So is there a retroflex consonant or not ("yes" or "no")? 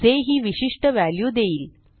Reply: yes